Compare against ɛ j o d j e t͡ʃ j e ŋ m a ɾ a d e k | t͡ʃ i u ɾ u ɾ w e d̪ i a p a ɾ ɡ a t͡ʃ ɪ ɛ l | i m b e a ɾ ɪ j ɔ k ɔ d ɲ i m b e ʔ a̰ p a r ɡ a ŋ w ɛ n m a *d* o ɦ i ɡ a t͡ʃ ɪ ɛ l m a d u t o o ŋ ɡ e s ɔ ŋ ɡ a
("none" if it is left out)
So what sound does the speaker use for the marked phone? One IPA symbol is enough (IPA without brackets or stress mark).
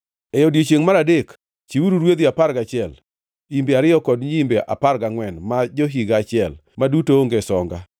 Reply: d͡ʒ